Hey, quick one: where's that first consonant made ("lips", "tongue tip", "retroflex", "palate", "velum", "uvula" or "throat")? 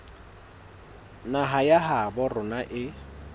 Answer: tongue tip